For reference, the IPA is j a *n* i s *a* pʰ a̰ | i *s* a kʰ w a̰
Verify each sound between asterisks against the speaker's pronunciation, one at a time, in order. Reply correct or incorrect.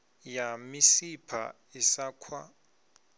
incorrect: m, incorrect: i, correct

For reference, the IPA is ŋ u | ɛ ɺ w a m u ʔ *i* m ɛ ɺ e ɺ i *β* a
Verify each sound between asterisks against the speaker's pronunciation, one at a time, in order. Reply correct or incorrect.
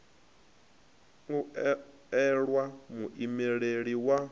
correct, incorrect: w

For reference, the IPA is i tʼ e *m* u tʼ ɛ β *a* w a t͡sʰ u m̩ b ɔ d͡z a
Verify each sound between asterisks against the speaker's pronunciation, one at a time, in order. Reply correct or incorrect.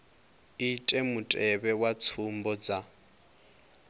correct, incorrect: ɛ

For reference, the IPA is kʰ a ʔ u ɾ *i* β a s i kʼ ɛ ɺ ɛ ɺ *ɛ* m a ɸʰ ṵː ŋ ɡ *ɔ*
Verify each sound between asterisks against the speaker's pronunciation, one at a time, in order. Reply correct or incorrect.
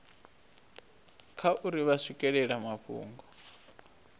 correct, incorrect: a, correct

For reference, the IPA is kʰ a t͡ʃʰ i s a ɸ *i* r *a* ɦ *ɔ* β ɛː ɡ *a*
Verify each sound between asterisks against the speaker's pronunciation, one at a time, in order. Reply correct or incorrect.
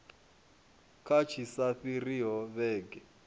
correct, incorrect: i, correct, incorrect: ɛ

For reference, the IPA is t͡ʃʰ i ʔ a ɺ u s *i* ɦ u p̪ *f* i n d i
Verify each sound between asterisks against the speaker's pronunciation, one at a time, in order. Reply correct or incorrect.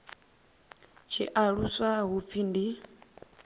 incorrect: a, correct

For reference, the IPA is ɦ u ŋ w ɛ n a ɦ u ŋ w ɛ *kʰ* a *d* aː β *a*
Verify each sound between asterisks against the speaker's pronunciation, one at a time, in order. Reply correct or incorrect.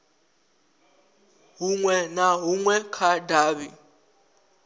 correct, correct, incorrect: i

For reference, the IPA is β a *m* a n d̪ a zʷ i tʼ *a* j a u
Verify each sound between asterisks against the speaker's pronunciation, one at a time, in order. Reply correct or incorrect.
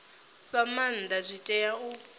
correct, incorrect: ɛ

